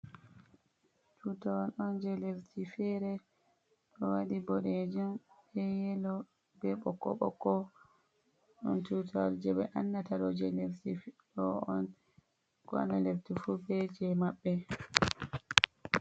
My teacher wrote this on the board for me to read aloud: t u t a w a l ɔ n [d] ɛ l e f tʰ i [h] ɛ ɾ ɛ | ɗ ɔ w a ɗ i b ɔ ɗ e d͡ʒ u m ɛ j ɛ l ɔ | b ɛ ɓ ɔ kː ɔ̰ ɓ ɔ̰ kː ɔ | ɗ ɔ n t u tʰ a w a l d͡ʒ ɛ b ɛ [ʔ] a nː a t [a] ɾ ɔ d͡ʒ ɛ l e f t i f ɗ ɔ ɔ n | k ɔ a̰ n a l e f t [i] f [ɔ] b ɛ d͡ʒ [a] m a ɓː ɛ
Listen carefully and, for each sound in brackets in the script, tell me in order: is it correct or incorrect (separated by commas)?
incorrect, incorrect, correct, correct, correct, incorrect, incorrect